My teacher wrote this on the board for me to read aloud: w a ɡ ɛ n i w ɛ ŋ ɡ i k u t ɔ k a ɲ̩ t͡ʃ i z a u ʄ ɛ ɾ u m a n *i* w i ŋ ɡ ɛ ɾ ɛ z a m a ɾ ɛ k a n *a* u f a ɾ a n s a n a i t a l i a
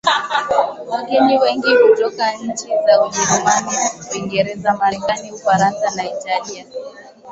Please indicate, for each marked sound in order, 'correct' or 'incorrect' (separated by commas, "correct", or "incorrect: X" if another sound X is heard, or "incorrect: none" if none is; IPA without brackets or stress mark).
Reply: correct, incorrect: i